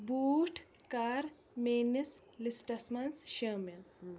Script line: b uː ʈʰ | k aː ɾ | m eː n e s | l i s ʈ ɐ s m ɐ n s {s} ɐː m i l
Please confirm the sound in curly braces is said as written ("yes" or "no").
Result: no